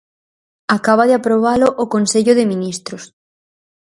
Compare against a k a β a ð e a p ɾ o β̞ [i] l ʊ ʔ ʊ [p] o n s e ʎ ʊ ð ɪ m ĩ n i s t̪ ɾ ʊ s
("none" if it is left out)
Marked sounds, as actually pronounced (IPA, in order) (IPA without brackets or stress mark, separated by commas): a, k